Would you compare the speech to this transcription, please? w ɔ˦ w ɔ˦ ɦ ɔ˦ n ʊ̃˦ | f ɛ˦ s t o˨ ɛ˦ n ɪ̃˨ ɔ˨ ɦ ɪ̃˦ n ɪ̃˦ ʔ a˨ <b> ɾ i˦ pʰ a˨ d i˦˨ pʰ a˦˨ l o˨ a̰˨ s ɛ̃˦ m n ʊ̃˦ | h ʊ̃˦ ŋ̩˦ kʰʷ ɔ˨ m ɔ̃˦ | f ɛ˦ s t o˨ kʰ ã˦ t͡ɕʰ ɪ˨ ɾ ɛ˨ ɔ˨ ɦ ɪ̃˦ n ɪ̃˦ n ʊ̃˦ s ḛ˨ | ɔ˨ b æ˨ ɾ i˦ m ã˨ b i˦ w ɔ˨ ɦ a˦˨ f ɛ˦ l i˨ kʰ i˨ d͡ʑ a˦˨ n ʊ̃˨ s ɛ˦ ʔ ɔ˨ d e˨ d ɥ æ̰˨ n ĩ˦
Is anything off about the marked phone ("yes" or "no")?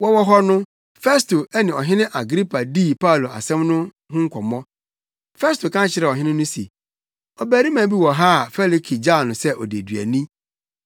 yes